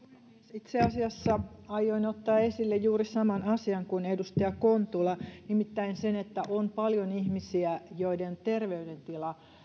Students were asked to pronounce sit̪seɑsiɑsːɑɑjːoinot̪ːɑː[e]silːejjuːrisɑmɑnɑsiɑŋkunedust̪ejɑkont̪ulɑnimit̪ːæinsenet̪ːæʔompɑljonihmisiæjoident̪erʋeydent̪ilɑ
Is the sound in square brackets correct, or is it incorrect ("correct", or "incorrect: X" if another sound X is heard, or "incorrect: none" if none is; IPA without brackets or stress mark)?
correct